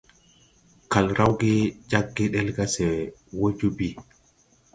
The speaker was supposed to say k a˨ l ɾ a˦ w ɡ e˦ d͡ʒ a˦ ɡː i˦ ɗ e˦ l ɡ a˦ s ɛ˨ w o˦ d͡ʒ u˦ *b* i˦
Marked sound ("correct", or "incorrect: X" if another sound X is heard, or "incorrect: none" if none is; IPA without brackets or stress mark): correct